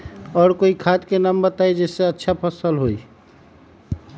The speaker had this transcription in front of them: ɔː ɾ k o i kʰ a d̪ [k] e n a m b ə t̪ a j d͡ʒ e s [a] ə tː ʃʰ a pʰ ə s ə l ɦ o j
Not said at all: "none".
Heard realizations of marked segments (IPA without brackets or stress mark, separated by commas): k, e